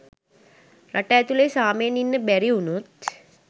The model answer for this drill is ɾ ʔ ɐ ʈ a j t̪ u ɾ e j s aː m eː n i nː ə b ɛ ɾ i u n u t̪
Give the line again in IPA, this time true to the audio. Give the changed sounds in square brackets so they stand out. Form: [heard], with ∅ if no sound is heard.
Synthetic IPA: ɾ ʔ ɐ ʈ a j t̪ u [l] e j s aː m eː n i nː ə b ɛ ɾ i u n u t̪